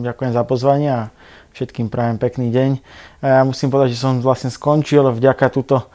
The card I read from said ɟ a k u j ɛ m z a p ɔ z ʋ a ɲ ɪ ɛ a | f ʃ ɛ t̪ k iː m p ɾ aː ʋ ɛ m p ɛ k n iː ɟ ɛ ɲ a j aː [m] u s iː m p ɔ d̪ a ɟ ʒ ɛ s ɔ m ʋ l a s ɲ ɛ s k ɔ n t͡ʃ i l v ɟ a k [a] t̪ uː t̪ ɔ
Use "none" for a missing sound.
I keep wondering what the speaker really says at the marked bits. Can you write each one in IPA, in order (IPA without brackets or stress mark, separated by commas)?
m, a